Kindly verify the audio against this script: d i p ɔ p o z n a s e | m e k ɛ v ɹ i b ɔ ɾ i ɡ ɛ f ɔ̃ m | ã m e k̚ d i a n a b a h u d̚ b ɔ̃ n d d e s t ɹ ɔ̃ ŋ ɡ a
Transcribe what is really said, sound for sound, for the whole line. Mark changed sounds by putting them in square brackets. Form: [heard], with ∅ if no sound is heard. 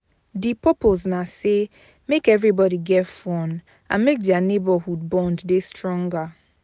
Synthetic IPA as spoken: d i p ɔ p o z n a s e | m e k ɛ v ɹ i b ɔ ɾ i ɡ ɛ f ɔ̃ [n] | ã m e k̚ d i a n [e] b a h u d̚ b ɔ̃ n d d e s t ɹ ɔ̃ ŋ ɡ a